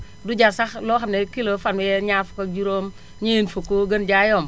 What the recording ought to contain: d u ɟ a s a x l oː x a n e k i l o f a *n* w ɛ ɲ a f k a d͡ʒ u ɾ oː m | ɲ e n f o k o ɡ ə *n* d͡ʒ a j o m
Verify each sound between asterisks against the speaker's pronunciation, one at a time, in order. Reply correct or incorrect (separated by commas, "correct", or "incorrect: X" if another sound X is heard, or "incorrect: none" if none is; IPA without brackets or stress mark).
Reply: correct, correct